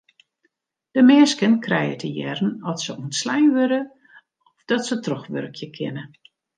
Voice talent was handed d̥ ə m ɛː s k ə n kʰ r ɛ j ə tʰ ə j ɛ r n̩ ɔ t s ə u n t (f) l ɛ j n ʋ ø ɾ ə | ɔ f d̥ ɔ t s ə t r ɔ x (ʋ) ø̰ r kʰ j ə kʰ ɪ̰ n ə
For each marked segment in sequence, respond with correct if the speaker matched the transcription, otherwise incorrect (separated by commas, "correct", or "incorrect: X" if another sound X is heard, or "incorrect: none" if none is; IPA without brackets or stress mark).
incorrect: s, correct